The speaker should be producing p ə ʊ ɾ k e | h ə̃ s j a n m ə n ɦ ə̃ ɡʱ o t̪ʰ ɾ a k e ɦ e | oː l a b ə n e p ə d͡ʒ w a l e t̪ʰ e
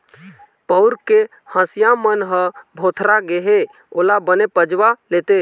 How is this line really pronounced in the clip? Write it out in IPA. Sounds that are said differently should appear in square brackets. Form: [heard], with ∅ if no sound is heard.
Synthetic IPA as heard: p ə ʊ ɾ k e | h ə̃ s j a [∅] m ə n ɦ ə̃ [bʱ] o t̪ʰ ɾ a [ɡ] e ɦ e | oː l a b ə n e p ə d͡ʒ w a l e [t̪] e